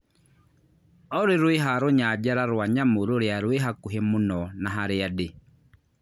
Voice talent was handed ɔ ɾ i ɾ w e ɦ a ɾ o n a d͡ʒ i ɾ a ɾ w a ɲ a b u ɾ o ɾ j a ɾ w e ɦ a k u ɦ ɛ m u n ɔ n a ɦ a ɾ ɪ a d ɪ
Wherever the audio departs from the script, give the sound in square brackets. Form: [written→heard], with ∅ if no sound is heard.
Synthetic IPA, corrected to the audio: ɔ ɾ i ɾ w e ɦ a ɾ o [n→ɲ] a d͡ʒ [i→a] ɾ a ɾ w a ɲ a [b→m] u ɾ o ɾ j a ɾ w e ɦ a k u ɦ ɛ m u n ɔ n a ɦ a ɾ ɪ a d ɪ